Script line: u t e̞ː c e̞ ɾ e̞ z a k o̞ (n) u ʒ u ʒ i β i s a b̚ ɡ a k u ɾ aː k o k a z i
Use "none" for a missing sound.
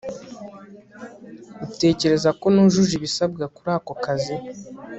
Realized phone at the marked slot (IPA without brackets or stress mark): n